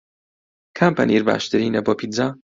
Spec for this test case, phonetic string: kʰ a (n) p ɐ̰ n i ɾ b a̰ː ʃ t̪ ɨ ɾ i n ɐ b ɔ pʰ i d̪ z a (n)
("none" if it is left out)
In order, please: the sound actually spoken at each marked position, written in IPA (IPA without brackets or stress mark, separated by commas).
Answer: m, none